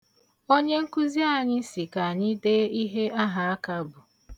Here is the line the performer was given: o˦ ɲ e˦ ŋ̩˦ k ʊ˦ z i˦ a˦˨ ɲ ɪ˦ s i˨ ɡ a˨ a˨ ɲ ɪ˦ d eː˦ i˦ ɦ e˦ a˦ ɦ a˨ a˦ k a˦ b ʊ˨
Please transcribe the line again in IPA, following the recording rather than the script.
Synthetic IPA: o˦ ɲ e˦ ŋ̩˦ k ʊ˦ z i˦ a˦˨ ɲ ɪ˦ s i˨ k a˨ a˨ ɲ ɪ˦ d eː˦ i˦ ɦ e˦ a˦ ɦ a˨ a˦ k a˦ b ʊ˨